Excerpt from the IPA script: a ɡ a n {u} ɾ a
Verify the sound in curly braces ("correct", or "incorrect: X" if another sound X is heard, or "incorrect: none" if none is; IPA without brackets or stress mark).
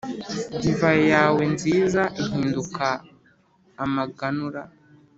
correct